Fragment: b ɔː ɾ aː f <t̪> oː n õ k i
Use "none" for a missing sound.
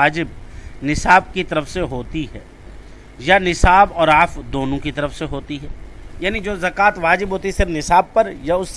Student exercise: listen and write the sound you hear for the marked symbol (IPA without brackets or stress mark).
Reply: d̪